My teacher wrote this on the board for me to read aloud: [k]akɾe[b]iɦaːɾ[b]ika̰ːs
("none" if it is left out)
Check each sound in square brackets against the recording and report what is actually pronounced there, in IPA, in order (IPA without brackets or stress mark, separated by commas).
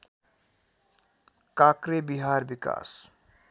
k, b, b